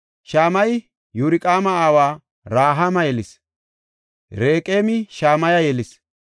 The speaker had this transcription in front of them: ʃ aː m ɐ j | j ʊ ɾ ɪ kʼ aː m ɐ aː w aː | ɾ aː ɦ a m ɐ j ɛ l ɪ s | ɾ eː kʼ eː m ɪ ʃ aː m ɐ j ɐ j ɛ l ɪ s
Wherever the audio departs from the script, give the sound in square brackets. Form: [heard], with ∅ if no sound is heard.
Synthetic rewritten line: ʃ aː m ɐ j | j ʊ ɾ ɪ kʼ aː m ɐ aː w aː | ɾ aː ɦ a m ɐ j ɛ l ɪ s | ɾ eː kʼ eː m ɪ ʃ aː m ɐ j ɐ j ɛ l ɪ s